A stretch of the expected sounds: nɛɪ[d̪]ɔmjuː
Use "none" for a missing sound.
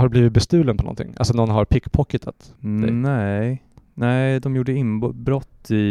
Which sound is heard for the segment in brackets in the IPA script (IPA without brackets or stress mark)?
d̪